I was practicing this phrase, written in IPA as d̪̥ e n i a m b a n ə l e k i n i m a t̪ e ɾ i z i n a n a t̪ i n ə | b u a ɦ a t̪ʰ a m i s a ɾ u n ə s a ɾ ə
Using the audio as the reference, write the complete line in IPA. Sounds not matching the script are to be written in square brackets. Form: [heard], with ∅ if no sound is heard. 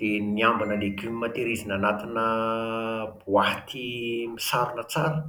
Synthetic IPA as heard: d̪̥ e n i a m b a n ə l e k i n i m a t̪ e ɾ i z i n a n a t̪ i n ə | b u a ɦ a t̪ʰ [i] m i s a ɾ u n ə [t͡s] a ɾ ə